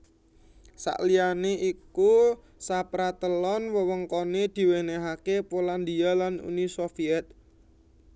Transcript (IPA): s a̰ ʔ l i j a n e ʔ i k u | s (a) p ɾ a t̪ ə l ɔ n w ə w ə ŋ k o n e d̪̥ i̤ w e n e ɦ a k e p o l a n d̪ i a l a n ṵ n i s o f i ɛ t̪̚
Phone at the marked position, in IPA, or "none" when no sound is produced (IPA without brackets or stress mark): a